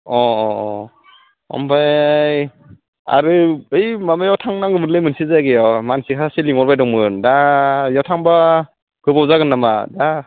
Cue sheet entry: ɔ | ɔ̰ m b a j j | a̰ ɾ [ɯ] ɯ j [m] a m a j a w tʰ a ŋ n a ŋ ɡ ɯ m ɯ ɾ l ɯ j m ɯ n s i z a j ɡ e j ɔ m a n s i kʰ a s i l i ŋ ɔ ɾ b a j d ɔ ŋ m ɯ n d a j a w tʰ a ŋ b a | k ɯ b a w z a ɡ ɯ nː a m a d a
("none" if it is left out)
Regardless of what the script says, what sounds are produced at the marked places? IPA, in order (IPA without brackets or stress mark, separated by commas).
ɯ, m